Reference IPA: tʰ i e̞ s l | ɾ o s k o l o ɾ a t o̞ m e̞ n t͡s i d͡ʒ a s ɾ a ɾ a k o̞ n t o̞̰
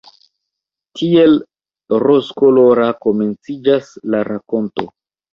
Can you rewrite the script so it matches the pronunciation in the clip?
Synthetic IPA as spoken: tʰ i e̞ l | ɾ o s k o l o ɾ a k o̞ m e̞ n t͡s i d͡ʒ a s l a ɾ a k o̞ n t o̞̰